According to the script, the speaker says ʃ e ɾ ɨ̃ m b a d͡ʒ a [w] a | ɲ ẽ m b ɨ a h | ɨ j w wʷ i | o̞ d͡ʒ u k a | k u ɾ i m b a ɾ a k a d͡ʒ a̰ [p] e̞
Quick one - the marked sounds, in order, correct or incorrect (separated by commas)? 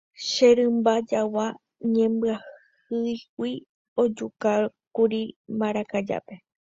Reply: correct, correct